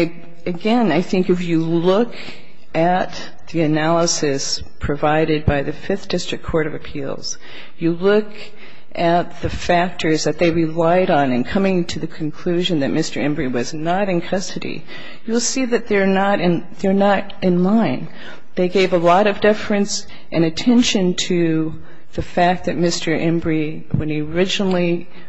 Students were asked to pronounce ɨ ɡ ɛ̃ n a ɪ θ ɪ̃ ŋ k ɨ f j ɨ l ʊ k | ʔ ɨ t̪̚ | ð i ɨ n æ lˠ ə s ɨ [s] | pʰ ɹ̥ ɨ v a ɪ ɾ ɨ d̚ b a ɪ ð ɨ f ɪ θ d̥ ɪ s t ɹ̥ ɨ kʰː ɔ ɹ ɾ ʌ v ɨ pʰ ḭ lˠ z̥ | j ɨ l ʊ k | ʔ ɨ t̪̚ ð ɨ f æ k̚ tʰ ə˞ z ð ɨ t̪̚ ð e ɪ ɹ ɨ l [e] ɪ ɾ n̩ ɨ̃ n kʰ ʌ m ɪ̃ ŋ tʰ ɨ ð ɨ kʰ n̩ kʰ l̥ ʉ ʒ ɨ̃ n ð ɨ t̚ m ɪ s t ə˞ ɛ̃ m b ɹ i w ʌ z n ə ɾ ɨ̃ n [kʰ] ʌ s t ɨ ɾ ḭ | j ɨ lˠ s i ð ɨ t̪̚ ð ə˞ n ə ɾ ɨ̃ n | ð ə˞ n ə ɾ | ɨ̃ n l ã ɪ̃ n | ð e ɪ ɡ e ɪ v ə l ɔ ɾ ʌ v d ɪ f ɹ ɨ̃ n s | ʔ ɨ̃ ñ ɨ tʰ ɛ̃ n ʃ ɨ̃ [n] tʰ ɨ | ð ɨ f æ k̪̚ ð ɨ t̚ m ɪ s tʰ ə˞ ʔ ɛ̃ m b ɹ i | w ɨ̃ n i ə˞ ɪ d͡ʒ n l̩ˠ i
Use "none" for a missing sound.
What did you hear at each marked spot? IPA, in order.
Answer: s, a, kʰ, n

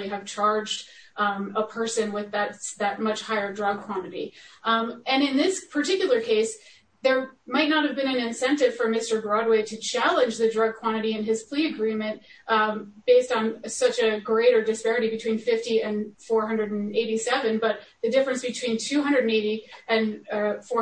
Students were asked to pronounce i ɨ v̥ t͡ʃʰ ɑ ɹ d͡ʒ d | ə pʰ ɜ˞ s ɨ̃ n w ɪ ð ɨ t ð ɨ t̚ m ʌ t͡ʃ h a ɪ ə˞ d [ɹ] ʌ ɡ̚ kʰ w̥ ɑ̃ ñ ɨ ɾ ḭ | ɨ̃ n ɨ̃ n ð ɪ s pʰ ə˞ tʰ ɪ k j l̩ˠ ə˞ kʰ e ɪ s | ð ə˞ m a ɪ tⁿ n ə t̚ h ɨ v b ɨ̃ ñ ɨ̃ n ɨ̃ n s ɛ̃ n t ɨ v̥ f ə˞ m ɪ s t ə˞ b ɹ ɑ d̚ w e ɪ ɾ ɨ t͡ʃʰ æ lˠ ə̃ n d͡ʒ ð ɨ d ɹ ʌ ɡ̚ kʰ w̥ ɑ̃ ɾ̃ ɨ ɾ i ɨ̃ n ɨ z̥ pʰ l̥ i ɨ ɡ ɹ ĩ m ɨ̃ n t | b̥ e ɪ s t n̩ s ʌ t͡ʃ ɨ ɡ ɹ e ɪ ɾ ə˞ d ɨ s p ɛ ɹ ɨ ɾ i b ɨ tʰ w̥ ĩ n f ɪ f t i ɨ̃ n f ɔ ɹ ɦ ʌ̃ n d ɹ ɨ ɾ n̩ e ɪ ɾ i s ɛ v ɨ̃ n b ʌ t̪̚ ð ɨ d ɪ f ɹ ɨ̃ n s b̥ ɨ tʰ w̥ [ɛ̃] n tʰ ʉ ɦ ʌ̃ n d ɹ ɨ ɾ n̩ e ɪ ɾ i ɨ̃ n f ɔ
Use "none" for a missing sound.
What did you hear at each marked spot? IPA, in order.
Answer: ɹ, ĩ

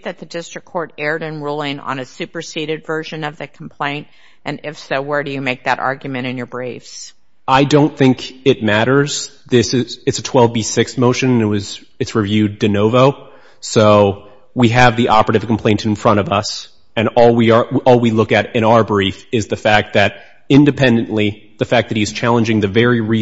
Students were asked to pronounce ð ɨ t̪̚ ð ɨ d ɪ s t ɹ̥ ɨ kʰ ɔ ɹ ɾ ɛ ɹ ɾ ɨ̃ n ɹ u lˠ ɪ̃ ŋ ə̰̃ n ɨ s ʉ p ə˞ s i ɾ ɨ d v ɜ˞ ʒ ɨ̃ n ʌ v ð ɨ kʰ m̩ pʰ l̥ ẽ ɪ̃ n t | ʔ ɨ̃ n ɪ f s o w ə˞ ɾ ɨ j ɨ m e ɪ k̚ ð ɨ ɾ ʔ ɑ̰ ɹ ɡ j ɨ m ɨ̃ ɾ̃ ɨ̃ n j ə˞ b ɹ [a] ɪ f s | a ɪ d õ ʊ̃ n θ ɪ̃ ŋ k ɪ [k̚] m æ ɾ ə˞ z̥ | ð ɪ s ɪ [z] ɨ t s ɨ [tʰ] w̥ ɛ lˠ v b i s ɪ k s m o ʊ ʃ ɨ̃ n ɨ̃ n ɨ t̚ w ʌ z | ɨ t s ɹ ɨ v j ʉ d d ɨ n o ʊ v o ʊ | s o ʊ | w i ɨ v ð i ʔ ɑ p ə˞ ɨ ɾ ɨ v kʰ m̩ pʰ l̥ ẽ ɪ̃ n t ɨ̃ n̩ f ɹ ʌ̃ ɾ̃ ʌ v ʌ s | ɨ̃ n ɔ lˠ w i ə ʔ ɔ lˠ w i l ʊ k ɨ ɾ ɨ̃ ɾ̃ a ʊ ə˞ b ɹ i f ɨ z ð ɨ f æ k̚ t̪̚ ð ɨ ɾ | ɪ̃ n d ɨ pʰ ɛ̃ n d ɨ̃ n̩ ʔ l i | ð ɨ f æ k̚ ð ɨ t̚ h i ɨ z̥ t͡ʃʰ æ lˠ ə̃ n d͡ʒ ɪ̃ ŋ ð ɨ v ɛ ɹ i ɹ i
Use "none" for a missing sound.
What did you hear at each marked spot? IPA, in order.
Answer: e, t̚, z, tʰ

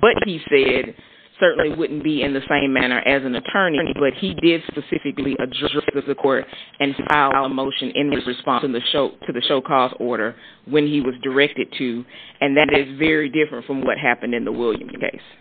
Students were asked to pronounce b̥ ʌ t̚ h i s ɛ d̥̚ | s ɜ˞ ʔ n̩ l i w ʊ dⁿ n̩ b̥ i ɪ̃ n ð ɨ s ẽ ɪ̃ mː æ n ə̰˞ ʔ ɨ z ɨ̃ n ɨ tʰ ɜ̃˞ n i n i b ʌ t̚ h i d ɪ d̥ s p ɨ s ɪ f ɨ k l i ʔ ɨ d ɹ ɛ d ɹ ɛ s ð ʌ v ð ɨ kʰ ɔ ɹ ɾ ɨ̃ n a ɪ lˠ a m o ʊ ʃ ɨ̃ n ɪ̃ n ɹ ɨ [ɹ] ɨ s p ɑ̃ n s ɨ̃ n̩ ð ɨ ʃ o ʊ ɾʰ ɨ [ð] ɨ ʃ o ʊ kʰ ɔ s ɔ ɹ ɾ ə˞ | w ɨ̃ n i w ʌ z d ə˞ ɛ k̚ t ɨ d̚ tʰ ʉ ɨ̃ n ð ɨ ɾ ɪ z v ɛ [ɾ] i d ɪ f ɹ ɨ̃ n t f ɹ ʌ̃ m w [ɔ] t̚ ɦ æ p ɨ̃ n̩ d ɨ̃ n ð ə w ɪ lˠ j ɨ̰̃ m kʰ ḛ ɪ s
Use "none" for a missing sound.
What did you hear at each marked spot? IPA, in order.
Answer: ɹ, ð, ɹ, ʌ

